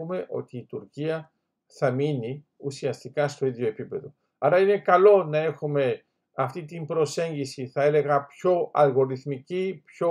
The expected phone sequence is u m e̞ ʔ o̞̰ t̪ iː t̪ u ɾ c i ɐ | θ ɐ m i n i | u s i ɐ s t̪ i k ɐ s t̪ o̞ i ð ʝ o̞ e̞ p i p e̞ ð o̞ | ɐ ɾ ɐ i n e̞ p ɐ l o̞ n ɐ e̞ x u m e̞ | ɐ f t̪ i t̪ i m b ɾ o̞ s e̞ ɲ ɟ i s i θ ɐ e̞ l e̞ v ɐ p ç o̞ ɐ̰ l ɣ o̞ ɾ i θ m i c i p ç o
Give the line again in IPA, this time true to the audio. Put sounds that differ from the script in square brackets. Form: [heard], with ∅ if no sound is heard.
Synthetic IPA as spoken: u m e̞ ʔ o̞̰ t̪ iː t̪ u ɾ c i ɐ | θ ɐ m i n i | u s i ɐ s t̪ i k ɐ s t̪ o̞ i ð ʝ o̞ e̞ p i p e̞ ð o̞ | ɐ ɾ ɐ i n e̞ [k] ɐ l o̞ n ɐ e̞ x u m e̞ | ɐ f t̪ i t̪ i m b ɾ o̞ s e̞ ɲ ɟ i s i θ ɐ e̞ l e̞ [ɣ] ɐ p ç o̞ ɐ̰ l ɣ o̞ ɾ i θ m i c i p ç o